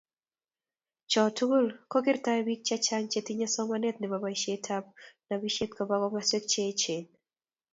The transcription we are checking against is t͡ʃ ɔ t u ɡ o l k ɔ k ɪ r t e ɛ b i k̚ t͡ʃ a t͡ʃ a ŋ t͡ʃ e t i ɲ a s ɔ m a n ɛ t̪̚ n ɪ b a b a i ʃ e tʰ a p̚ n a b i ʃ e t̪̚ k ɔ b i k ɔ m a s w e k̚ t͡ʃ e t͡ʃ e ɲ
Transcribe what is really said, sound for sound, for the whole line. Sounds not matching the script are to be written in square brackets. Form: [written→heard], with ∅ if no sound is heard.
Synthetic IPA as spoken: t͡ʃ ɔ t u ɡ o l k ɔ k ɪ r t [e→a] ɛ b i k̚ t͡ʃ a t͡ʃ a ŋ t͡ʃ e t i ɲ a s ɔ m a n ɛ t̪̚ n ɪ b a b a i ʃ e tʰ a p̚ n a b i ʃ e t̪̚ k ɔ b [i→a] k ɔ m a s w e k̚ t͡ʃ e t͡ʃ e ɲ